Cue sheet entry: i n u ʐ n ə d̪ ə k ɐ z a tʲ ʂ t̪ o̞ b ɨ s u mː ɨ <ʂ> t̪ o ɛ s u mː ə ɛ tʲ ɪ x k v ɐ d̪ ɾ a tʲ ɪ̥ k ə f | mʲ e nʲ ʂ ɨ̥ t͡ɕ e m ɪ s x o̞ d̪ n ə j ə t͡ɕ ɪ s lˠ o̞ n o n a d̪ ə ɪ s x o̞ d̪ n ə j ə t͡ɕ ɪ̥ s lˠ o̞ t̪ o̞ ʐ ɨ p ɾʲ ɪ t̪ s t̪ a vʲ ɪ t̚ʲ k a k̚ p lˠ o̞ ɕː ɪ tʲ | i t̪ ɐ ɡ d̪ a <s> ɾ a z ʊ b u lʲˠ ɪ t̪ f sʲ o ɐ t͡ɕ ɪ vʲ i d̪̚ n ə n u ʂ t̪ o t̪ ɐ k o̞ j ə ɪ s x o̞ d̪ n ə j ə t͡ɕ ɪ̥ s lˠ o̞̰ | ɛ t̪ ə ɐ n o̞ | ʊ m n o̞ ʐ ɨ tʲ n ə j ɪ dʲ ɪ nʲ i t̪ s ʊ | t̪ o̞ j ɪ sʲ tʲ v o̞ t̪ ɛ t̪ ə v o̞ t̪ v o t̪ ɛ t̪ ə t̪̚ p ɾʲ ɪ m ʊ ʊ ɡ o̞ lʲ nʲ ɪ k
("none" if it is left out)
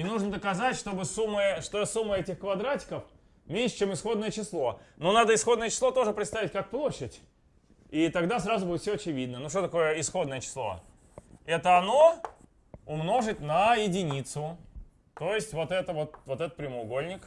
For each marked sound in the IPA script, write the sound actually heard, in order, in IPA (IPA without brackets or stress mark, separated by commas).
ʂ, s